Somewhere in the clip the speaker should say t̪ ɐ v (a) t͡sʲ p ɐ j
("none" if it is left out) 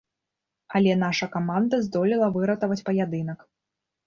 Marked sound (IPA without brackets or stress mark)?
ɐ